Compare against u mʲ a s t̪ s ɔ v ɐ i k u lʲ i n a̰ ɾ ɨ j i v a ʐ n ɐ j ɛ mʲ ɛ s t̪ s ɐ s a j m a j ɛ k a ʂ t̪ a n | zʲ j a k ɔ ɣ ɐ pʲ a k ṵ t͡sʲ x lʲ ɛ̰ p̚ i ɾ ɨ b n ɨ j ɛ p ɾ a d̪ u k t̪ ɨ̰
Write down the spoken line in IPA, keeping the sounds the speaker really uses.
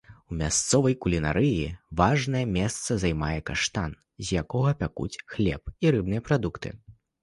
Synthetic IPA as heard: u mʲ a s t̪ s ɔ v ɐ j k u lʲ i n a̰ ɾ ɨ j i v a ʐ n ɐ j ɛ mʲ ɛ s t̪ s ɐ z a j m a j ɛ k a ʂ t̪ a n | zʲ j a k ɔ ɣ ɐ pʲ a k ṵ t͡sʲ x lʲ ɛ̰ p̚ i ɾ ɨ b n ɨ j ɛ p ɾ a d̪ u k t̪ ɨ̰